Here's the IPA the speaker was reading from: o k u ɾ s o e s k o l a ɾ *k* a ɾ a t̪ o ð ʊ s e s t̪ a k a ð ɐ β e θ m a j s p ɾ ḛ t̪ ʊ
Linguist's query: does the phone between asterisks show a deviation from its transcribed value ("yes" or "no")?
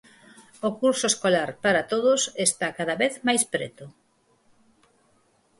yes